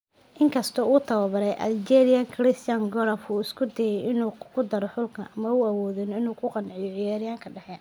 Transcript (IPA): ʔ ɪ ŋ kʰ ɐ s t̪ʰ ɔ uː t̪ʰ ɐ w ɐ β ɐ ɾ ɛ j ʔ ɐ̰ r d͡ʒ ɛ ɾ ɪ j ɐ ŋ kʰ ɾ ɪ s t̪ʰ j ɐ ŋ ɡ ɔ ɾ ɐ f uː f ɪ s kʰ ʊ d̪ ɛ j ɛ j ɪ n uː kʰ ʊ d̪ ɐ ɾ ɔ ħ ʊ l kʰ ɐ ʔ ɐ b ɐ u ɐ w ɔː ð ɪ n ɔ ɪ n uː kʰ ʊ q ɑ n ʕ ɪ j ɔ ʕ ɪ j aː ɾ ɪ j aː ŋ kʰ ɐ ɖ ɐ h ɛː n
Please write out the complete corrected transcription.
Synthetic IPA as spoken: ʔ ɪ ŋ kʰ ɐ s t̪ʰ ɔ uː t̪ʰ ɐ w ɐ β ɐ ɾ ɛ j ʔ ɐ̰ l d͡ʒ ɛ ɾ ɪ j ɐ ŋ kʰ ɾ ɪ s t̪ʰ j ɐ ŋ ɡ ɔ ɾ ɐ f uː ɪ s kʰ ʊ d̪ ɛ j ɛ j ɪ n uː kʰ ʊ d̪ ɐ ɾ ɔ ħ ʊ l kʰ ɐ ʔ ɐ m ɐ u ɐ w ɔː ð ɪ n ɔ ɪ n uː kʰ ʊ q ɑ n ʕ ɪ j ɔ ʕ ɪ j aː ɾ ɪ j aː ŋ kʰ ɐ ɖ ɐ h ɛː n